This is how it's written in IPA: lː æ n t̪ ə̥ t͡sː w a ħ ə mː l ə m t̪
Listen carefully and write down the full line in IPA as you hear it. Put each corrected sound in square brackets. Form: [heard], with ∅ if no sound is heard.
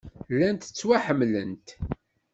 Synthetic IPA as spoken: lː æ n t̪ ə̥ t͡sː w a ħ ə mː l ə [n] t̪